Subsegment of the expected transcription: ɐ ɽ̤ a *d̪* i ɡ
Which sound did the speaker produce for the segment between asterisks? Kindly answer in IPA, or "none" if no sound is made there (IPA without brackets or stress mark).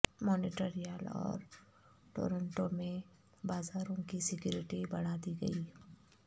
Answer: d̪